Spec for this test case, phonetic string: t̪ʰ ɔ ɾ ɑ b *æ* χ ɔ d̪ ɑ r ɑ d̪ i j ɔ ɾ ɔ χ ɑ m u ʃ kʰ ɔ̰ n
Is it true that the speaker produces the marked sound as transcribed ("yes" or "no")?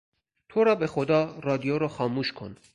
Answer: no